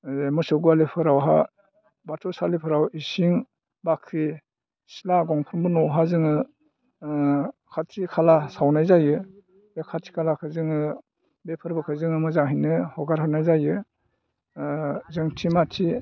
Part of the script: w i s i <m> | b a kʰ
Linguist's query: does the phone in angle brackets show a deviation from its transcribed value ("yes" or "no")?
yes